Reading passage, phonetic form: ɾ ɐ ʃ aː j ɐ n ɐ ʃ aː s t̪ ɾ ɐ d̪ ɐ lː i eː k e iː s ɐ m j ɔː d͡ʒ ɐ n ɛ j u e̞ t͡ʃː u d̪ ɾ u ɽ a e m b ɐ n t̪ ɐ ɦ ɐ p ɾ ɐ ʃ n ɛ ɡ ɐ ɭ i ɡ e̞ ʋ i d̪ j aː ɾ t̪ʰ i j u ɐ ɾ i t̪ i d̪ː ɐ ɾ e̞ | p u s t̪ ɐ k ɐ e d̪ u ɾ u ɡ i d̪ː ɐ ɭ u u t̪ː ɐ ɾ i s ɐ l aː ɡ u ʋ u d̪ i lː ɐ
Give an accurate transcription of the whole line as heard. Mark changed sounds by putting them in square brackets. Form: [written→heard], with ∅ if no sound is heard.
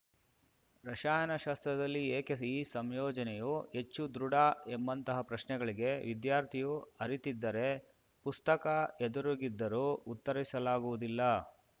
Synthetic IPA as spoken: ɾ ɐ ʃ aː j ɐ n ɐ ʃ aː s t̪ ɾ ɐ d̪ ɐ lː i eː k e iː s ɐ m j ɔː d͡ʒ ɐ n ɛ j u e̞ t͡ʃː u d̪ ɾ u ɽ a e m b ɐ n t̪ ɐ ɦ ɐ p ɾ ɐ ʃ n ɛ ɡ ɐ ɭ i ɡ e̞ ʋ i d̪ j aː ɾ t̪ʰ i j u ɐ ɾ i t̪ i d̪ː ɐ ɾ e̞ | p u s t̪ ɐ k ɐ e d̪ u ɾ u ɡ i d̪ː ɐ [ɭ→ɾ] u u t̪ː ɐ ɾ i s ɐ l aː ɡ u ʋ u d̪ i lː ɐ